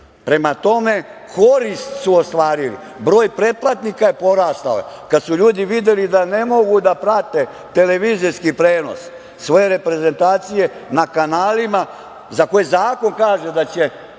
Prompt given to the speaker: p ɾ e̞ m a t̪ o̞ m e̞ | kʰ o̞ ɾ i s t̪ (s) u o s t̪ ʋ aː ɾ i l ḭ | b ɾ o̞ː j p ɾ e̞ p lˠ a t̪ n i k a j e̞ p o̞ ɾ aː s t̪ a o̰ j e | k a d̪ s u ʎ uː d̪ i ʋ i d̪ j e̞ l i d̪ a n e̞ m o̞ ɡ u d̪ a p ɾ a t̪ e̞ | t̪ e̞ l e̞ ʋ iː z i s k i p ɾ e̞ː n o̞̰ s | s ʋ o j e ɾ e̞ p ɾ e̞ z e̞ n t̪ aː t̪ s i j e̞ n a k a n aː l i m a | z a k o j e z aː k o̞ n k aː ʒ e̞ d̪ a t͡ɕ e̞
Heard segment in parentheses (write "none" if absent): s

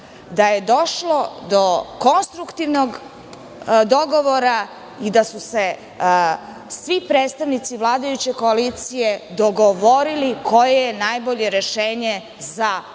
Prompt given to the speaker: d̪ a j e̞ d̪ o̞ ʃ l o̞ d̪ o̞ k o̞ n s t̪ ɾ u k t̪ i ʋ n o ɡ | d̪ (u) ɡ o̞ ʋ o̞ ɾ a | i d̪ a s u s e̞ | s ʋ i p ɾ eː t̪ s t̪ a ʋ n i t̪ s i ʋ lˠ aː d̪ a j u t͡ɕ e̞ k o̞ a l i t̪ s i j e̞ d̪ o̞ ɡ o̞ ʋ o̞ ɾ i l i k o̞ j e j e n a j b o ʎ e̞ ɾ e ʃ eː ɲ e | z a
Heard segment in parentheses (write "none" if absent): o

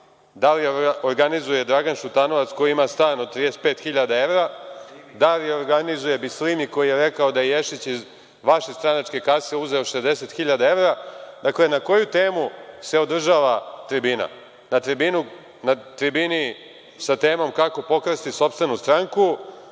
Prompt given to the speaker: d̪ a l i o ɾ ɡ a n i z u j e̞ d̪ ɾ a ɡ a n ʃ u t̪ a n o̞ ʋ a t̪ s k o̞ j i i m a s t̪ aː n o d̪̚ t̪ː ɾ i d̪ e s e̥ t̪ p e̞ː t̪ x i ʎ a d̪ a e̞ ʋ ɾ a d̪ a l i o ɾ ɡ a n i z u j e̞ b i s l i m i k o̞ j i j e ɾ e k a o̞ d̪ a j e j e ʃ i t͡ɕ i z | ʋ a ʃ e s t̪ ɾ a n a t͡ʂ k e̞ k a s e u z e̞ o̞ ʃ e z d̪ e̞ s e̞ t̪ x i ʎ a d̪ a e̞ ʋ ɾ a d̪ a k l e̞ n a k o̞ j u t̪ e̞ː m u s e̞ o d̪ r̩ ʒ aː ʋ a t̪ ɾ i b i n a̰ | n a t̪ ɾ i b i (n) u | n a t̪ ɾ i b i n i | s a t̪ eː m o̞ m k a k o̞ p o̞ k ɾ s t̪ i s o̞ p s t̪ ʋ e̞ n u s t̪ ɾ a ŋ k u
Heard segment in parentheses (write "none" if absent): n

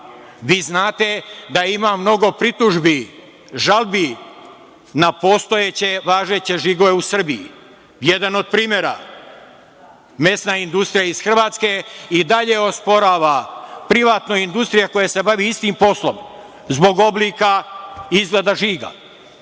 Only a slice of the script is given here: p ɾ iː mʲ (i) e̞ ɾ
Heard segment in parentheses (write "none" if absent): j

